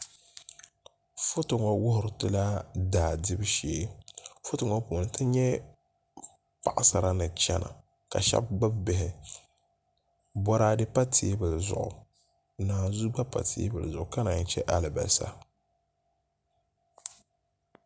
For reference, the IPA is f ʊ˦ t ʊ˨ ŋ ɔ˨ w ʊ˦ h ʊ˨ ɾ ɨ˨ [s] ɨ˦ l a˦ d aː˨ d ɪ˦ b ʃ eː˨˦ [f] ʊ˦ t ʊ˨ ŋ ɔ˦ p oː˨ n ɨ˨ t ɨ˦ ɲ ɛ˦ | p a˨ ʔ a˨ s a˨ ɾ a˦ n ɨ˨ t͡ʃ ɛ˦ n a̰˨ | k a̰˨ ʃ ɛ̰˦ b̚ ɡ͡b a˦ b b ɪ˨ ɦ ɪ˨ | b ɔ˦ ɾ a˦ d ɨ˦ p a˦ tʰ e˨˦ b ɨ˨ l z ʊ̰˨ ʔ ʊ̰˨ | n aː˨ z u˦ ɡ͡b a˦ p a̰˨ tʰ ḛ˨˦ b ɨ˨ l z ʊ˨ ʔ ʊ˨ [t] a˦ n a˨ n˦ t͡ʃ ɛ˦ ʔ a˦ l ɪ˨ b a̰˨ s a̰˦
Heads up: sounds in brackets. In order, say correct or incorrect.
incorrect: t, correct, incorrect: k

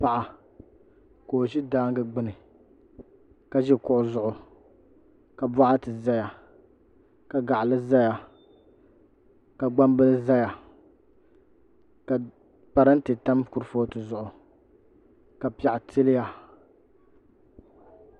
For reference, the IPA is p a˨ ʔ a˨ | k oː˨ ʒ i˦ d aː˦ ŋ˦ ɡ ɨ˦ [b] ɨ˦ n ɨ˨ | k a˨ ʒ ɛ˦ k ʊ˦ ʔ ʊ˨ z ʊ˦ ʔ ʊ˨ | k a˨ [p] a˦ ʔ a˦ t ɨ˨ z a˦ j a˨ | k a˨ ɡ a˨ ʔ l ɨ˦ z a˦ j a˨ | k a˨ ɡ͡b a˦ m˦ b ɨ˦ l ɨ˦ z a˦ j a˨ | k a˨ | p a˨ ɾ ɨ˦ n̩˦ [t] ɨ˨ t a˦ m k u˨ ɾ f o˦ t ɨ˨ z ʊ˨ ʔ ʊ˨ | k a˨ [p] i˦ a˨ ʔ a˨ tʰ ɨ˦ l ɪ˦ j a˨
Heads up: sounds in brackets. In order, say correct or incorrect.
incorrect: ɡ͡b, incorrect: b, correct, correct

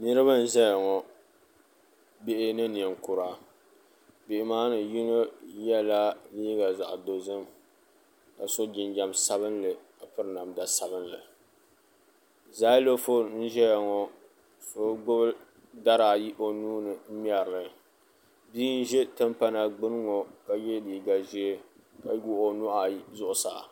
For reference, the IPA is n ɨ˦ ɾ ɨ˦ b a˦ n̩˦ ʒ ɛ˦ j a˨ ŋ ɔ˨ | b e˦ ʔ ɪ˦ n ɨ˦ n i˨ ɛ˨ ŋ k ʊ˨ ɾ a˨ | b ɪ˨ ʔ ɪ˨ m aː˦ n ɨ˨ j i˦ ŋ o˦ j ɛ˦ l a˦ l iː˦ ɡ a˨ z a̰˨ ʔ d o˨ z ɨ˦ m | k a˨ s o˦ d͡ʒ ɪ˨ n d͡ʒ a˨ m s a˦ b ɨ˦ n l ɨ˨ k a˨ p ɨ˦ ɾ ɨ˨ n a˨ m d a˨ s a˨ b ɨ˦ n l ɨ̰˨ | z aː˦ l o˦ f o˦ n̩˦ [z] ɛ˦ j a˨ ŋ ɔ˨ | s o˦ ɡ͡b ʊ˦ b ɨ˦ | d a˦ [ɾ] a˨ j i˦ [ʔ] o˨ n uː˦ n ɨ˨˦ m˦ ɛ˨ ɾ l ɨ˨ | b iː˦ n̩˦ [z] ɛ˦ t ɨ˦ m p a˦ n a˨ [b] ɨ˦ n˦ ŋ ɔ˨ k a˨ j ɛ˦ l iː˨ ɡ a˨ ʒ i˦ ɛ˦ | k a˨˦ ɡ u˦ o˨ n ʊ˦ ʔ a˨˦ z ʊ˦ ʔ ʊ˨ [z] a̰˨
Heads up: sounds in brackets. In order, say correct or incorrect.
incorrect: ʒ, correct, correct, incorrect: ʒ, incorrect: ɡ͡b, incorrect: s

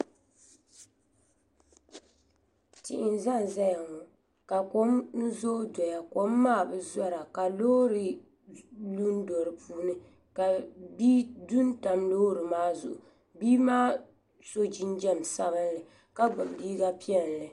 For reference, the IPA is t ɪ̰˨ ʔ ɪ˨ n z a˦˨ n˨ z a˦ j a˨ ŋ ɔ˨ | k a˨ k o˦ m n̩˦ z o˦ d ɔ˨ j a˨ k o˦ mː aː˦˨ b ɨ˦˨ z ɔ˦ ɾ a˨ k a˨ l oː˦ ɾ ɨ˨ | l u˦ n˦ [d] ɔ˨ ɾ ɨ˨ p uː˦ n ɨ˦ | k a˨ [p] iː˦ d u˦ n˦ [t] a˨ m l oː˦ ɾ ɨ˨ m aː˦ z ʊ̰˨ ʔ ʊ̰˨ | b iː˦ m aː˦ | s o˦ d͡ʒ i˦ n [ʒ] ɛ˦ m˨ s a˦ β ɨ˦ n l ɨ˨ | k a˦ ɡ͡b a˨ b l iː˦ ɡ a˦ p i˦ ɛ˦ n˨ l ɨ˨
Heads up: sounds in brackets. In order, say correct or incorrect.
correct, incorrect: b, correct, incorrect: d͡ʒ

